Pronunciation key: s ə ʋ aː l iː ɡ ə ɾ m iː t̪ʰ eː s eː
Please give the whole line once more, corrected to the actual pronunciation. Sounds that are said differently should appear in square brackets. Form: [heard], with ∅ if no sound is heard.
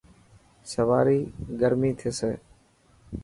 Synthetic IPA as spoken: s ə ʋ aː [ɾ] iː ɡ ə ɾ m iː t̪ʰ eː s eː